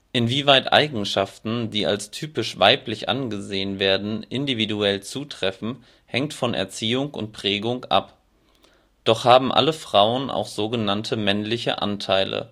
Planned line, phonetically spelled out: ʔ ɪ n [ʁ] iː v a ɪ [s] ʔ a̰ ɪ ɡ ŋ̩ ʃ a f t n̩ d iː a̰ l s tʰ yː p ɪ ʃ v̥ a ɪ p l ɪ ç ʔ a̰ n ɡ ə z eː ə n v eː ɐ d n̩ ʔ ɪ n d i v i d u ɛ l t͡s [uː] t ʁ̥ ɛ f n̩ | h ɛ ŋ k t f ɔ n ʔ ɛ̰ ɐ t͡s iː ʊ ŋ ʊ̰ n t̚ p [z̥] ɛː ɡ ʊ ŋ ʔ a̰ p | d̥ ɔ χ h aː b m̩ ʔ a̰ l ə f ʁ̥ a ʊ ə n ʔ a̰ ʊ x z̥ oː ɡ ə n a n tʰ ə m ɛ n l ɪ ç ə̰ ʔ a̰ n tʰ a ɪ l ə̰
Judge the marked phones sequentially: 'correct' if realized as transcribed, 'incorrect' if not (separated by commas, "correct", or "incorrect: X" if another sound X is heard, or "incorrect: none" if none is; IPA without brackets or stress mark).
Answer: incorrect: v, incorrect: t, correct, incorrect: ʁ̥